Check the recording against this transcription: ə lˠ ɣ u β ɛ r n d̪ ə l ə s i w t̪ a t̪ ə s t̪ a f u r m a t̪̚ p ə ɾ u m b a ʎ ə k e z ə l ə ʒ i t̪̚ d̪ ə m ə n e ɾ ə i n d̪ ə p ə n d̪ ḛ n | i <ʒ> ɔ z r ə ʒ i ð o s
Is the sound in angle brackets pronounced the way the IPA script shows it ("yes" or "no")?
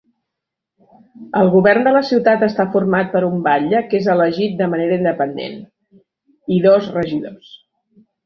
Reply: no